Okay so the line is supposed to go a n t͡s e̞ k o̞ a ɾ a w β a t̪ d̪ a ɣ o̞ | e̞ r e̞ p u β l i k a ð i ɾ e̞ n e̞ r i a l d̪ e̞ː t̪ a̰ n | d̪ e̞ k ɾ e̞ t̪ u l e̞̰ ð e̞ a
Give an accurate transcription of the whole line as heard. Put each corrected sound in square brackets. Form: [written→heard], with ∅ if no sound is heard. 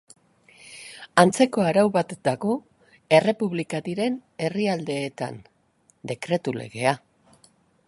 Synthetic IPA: a n t͡s e̞ k o̞ a ɾ a w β a t̪ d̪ a ɣ o̞ | e̞ r e̞ p u β l i k a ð i ɾ e̞ n e̞ r i a l d̪ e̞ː t̪ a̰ n | d̪ e̞ k ɾ e̞ t̪ u l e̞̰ [ð→ɣ] e̞ a